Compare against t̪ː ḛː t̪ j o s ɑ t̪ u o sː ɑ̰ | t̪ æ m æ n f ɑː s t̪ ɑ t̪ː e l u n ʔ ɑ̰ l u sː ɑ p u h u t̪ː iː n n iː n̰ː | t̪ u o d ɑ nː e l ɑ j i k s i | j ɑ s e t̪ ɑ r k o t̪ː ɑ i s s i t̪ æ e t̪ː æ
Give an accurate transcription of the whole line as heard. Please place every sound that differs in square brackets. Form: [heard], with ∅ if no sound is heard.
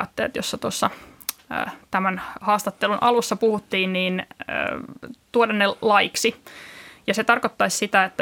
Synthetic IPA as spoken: t̪ː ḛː t̪ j o [sː] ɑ t̪ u o sː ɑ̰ | t̪ æ m æ n [h] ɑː s t̪ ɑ t̪ː e l u n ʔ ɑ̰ l u sː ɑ p u h u t̪ː iː n n iː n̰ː | t̪ u o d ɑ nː e l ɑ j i k s i | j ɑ s e t̪ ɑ r k o t̪ː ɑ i s s i t̪ æ e t̪ː æ